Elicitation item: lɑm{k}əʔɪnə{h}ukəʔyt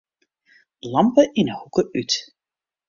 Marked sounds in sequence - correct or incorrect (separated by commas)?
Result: incorrect, correct